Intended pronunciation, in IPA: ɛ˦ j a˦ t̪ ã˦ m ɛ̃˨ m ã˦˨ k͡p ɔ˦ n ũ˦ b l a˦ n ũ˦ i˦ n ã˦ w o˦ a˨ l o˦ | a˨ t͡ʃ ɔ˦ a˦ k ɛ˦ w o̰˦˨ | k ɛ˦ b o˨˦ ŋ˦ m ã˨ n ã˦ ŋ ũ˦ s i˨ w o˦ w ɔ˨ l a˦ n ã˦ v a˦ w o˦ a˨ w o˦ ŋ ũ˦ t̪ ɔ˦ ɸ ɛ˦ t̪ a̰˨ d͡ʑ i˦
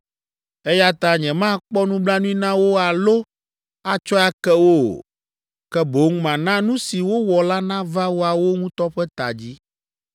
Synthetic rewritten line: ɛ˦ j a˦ t̪ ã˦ ɲ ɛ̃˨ m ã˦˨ k͡p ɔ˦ n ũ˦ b l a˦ n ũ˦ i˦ n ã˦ w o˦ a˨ l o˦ | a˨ t͡ʃ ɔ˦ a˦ k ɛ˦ w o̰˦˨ | k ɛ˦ b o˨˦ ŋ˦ m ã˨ n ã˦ n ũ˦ s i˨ w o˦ w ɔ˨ l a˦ n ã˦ v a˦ w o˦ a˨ w o˦ ŋ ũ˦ t̪ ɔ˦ ɸ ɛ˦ t̪ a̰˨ d͡ʑ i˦